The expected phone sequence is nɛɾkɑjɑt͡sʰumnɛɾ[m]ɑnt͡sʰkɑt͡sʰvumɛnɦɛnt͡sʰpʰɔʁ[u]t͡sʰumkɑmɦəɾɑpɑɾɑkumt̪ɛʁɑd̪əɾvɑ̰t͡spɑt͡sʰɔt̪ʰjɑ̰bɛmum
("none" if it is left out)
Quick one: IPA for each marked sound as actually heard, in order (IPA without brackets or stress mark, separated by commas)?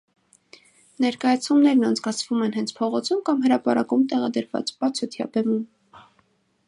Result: n, ɔ